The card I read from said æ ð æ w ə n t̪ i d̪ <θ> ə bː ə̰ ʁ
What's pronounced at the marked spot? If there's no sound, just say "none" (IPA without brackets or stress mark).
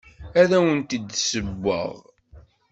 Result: s